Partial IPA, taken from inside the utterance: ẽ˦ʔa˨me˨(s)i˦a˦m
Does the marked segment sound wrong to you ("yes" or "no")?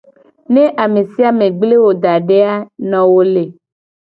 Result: no